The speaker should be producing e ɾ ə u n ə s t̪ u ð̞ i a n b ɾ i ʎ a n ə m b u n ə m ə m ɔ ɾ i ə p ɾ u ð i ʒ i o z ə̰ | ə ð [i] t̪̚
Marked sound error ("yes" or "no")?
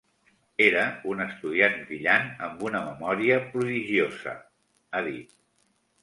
no